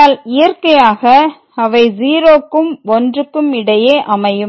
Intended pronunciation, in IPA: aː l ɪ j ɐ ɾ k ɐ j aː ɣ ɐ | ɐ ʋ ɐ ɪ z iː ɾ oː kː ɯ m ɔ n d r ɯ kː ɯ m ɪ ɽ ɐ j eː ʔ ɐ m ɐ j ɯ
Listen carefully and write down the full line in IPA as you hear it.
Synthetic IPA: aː l ɪ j ɐ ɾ k ɐ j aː ɣ ɐ | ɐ ʋ ɐ ɪ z iː ɾ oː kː ɯ m ɔ n d r ɯ kː ɯ m ɪ ɽ ɐ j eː ʔ ɐ m ɐ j ɯ